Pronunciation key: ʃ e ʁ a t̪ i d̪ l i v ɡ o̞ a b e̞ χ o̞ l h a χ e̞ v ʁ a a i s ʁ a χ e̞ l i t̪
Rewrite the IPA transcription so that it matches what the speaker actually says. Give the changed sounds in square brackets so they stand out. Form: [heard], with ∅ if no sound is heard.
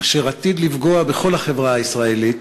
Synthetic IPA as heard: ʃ e ʁ a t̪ i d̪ l i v ɡ o̞ a b e̞ χ o̞ l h a χ e̞ v ʁ a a i s ʁ a [∅] e̞ l i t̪